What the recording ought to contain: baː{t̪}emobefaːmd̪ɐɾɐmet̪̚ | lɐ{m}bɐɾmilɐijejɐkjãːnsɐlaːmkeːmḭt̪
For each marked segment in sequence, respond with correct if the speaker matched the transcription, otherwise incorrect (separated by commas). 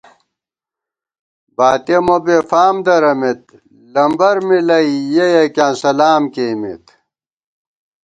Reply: correct, correct